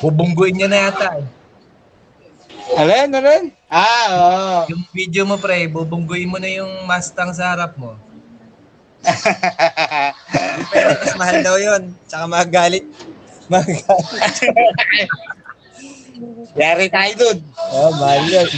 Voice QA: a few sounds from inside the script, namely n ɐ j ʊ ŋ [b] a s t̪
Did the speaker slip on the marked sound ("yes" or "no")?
yes